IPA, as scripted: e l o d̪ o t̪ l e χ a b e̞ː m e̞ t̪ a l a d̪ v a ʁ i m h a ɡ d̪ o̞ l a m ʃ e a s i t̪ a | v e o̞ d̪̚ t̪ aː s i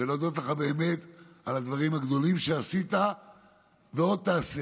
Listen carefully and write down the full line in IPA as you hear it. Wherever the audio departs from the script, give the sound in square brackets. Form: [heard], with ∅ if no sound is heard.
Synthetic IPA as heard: e l o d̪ o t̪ l e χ a b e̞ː m e̞ t̪ a l a d̪ v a ʁ i m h a ɡ d̪ o̞ l [i] m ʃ e a s i t̪ a | v e o̞ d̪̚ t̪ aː s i